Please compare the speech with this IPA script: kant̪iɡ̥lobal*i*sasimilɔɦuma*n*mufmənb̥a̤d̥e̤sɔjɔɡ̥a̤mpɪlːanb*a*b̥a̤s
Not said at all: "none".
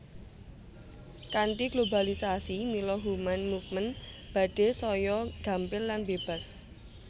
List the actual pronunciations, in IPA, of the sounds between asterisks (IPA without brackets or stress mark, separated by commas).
i, n, e